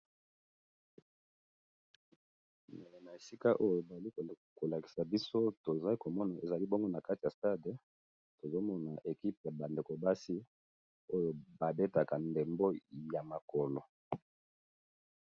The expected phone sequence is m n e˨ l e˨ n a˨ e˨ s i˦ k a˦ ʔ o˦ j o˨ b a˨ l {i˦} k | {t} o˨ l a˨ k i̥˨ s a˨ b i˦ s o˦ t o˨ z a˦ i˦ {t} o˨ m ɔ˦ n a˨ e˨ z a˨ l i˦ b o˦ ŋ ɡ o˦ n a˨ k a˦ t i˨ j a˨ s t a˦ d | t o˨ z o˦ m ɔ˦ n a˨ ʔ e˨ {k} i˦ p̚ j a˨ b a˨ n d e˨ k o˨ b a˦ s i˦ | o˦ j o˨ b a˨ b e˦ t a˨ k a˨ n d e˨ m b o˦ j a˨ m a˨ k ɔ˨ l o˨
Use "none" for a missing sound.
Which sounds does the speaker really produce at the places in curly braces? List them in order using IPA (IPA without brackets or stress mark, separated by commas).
i˦, k, k, k